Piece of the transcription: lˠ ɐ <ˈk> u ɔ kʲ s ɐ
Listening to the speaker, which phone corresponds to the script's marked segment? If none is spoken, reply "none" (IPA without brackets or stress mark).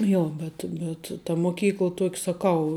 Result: t